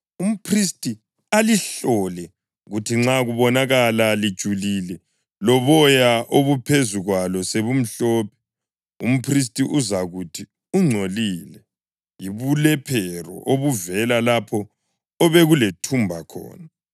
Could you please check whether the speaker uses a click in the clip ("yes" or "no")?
yes